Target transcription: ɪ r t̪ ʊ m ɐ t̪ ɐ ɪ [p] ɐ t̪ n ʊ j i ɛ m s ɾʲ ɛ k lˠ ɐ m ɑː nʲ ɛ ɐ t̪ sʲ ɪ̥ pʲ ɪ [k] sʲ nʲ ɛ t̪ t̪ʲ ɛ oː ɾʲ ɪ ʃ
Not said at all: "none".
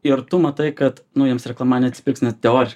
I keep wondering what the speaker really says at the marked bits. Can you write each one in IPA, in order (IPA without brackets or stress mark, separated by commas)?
k, k